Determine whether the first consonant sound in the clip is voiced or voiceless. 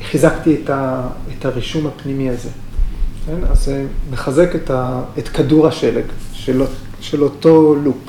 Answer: voiceless